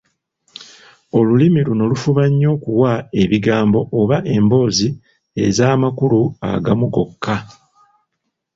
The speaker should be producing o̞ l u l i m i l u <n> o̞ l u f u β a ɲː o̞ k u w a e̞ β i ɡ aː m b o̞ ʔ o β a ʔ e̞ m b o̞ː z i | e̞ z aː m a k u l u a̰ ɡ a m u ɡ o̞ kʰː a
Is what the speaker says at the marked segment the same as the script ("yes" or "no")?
yes